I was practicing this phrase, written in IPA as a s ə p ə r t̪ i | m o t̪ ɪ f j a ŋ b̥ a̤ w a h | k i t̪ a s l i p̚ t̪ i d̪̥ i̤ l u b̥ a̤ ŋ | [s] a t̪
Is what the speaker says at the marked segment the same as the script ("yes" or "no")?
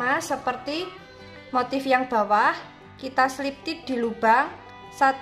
yes